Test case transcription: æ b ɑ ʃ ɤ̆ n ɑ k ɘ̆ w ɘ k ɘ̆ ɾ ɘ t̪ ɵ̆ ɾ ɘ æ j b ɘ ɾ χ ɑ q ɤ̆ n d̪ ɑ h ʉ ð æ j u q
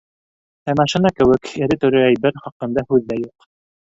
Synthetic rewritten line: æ m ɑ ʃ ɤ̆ n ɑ k ɘ̆ w ɘ k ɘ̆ ɾ ɘ t̪ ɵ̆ ɾ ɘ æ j b ɘ ɾ χ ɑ q ɤ̆ n d̪ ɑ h ʉ ðː æ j u q

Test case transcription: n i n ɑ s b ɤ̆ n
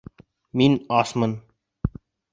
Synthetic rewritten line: m i n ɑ s m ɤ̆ n

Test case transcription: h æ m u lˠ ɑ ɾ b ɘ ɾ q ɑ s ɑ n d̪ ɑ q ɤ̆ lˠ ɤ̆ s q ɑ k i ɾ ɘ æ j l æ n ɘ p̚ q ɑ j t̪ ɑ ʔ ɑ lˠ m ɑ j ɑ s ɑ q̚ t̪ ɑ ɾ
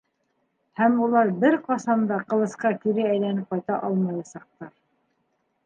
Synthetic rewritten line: h æ m u lˠ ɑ ɾ b ɘ ɾ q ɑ s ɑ n d̪ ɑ q ɤ̆ lˠ ɤ̆ s q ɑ k i ɾ ɘ æ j l æ n ɘ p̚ q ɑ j t̪ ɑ ʔ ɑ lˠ m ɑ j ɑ s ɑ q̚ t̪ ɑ ɾ

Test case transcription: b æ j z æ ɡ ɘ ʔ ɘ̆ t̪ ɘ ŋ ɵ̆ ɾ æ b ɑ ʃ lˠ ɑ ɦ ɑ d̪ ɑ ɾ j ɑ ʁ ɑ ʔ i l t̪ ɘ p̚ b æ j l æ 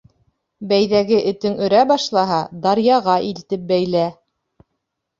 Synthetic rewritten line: b æ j ð æ ɡ ɘ ʔ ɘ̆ t̪ ɘ ŋ ɵ̆ ɾ æ b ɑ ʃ lˠ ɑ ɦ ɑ d̪ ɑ ɾ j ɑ ʁ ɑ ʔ i l t̪ ɘ p̚ b æ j l æ

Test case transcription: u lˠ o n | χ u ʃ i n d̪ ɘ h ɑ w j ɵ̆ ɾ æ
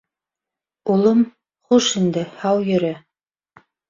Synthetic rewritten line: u lˠ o m | χ u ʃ i n d̪ ɘ h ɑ w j ɵ̆ ɾ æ

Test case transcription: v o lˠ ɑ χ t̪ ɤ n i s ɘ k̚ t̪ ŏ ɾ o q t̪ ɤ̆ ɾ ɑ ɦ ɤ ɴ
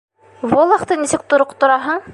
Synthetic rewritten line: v o lˠ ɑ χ t̪ ɤ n i s ɘ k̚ t̪ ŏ ɾ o q t̪ ŏ ɾ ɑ ɦ ɤ ɴ

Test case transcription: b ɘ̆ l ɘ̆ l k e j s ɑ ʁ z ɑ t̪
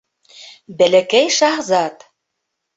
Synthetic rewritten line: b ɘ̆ l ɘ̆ k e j ʃ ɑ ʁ z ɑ t̪

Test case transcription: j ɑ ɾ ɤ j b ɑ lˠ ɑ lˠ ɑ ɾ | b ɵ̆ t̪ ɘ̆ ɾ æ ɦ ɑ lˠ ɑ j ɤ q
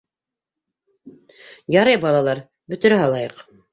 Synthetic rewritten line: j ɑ ɾ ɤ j b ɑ lˠ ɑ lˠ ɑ ɾ | b ɵ̆ t̪ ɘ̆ ɾ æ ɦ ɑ lˠ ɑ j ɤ q

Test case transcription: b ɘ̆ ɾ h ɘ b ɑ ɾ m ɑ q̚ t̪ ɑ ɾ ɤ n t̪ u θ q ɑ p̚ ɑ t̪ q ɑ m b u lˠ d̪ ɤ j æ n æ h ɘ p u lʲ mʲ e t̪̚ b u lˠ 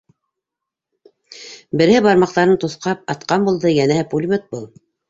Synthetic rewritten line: b ɘ̆ ɾ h ɘ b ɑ ɾ m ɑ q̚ t̪ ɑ ɾ ɤ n t̪ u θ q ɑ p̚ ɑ t̪ q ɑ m b u lˠ d̪ ɤ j æ n æ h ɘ p u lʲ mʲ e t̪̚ b u lˠ

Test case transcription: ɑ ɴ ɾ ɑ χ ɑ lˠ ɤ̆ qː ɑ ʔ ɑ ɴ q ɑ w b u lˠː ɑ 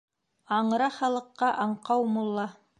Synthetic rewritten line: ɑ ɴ ɾ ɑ χ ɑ lˠ ɤ̆ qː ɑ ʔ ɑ ɴ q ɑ w m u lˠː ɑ

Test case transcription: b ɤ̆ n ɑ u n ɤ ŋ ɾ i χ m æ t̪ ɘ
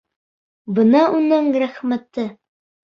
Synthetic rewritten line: b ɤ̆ n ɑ u n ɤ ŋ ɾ æ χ m æ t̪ ɘ

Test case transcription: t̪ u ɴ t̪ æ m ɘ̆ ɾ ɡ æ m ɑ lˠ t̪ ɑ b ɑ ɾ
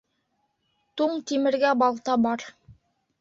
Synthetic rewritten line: t̪ u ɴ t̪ i m ɘ̆ ɾ ɡ æ b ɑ lˠ t̪ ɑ b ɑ ɾ

